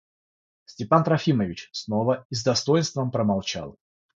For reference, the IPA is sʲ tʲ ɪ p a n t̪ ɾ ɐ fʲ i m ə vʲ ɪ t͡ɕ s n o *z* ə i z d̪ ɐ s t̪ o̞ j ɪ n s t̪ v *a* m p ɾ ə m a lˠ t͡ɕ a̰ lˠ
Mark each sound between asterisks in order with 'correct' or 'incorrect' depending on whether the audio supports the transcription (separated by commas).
incorrect, incorrect